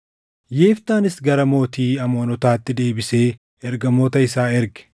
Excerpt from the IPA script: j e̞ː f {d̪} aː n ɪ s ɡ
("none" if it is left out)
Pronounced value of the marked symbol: t̪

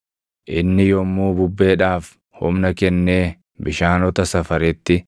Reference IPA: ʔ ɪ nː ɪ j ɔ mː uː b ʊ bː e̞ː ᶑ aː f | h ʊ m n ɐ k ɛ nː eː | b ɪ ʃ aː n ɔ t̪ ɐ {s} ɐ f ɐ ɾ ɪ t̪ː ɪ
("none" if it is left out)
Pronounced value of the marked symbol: s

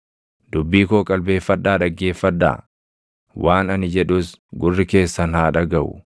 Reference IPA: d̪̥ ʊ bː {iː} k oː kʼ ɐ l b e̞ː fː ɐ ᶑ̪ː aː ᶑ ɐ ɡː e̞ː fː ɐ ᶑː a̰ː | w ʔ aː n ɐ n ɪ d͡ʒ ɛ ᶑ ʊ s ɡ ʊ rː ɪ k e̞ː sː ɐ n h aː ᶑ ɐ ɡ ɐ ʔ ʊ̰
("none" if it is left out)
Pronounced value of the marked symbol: iː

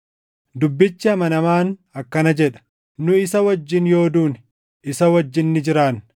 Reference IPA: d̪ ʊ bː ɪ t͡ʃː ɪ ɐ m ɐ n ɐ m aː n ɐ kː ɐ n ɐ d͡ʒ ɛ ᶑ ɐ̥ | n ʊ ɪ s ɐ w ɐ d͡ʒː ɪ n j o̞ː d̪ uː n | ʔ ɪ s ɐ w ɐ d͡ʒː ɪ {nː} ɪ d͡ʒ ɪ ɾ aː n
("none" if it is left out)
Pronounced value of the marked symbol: nː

